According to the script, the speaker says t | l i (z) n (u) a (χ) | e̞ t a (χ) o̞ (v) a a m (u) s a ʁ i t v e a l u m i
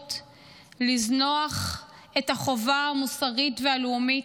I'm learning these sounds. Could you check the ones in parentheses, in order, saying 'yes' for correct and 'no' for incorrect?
yes, no, yes, yes, yes, yes

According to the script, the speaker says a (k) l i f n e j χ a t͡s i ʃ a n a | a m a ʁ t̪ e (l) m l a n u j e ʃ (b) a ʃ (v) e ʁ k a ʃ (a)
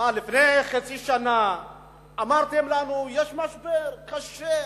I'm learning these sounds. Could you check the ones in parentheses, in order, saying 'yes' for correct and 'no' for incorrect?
no, no, no, no, no

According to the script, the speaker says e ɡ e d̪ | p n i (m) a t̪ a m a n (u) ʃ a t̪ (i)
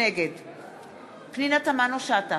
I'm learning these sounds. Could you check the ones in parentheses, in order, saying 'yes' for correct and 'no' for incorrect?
no, no, no

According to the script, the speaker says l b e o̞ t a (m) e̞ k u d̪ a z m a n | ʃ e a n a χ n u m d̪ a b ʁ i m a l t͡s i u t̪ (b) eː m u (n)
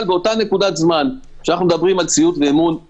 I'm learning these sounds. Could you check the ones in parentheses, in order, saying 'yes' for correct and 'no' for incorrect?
no, no, yes

